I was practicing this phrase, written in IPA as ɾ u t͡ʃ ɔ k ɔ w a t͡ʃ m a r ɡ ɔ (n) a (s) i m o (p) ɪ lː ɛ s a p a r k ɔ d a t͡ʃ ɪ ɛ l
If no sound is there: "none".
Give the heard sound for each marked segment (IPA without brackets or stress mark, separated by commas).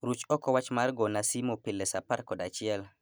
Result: n, s, p